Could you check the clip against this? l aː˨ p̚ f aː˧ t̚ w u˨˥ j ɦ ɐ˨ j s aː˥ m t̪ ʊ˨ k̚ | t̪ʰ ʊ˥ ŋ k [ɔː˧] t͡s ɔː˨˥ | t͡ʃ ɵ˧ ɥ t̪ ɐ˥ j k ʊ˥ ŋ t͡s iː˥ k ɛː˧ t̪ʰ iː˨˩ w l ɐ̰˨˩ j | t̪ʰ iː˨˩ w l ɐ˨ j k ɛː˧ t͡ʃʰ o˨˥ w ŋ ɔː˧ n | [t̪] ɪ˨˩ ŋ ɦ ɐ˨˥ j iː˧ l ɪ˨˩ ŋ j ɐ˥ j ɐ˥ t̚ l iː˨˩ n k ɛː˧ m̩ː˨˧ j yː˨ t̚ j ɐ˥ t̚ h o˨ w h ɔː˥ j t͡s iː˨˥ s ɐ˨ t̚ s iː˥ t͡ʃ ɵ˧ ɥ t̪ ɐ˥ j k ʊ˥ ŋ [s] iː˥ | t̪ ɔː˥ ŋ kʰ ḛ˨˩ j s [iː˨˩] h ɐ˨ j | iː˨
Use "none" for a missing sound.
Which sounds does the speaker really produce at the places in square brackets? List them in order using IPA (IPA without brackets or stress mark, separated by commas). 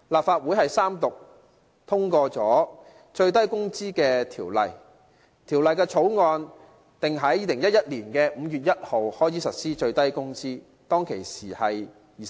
ɔː˧, t̪, t͡s, iː˨˩